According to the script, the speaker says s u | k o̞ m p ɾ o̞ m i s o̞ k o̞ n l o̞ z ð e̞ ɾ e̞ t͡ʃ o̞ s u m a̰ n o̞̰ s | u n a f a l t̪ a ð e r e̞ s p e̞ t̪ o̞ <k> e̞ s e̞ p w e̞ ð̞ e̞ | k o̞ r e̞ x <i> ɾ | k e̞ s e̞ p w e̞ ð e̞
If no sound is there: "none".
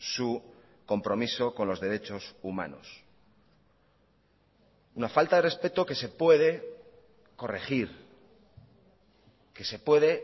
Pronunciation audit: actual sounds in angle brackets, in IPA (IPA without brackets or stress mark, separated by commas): k, i